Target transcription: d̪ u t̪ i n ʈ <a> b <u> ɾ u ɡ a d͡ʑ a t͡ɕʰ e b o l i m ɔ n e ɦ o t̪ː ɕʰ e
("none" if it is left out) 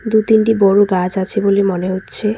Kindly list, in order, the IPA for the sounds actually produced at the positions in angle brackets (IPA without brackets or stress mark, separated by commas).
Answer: i, ɔ